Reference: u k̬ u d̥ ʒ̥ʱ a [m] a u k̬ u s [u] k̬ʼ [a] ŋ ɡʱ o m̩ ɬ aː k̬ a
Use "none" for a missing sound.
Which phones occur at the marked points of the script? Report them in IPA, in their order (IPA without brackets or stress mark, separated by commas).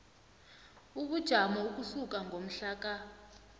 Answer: m, u, a